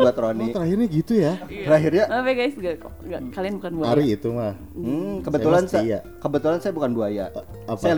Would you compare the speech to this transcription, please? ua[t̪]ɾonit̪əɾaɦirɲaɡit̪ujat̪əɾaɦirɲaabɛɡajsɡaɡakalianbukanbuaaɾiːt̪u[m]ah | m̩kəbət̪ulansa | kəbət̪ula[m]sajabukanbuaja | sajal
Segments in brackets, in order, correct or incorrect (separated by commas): correct, correct, incorrect